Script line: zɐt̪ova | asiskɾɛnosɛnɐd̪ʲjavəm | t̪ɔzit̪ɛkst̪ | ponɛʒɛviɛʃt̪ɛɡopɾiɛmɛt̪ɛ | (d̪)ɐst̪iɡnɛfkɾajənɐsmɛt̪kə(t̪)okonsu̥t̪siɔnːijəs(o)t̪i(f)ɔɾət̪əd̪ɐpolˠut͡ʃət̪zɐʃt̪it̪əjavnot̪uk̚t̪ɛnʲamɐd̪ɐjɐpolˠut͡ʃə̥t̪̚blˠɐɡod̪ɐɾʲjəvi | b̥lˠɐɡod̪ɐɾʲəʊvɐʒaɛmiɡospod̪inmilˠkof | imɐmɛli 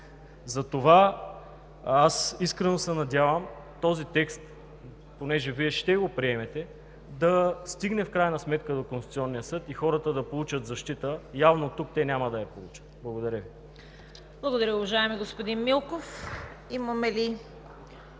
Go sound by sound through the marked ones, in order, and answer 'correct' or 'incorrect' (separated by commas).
correct, incorrect, incorrect, incorrect